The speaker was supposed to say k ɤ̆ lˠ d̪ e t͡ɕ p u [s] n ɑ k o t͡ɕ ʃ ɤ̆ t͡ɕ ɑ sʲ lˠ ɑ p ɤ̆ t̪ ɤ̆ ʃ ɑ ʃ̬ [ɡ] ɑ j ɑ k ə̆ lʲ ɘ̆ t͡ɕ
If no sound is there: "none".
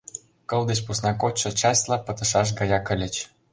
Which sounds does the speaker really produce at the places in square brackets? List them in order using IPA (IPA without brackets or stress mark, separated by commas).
s, ɡ